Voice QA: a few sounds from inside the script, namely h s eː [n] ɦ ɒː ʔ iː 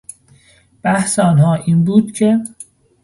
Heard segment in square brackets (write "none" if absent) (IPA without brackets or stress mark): n